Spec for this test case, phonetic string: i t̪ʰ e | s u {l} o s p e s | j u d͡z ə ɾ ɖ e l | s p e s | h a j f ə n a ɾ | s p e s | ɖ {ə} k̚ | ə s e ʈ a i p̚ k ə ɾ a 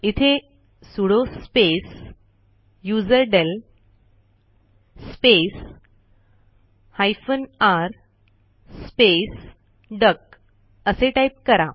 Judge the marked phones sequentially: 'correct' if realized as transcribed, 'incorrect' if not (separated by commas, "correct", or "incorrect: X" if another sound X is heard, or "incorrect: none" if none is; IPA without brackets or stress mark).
incorrect: ɽ, correct